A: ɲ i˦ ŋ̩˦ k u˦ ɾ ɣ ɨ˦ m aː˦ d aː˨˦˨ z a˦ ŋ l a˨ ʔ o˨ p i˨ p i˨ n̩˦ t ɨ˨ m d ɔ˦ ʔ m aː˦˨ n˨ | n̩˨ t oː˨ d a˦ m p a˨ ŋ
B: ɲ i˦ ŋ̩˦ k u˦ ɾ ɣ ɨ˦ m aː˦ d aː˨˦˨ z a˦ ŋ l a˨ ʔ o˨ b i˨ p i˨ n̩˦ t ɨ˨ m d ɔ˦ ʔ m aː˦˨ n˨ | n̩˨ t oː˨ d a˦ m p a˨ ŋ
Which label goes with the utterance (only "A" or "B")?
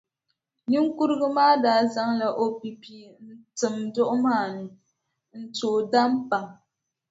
A